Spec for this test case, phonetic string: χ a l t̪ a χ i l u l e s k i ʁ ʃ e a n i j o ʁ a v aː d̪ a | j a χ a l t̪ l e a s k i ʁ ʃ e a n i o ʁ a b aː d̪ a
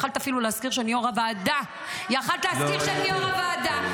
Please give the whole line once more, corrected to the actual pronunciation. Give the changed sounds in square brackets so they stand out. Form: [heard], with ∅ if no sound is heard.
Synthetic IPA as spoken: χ a l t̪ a [f] i l u l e s k i ʁ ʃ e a n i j o ʁ a v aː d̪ a | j a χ a l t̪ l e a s k i ʁ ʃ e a n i o ʁ a [v] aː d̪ a